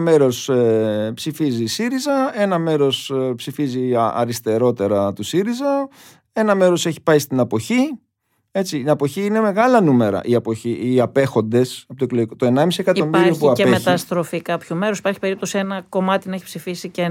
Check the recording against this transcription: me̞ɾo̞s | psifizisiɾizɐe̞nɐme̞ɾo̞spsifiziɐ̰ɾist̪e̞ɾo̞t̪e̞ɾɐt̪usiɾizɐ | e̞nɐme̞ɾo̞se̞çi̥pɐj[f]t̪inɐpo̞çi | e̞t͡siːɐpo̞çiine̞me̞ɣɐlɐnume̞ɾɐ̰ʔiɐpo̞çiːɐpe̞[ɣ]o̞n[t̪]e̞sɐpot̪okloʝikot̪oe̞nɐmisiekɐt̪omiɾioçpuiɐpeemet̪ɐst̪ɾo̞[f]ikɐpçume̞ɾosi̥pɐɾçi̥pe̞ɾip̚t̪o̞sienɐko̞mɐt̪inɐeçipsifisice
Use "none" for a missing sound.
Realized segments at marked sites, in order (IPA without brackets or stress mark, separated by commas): s, x, d̪, f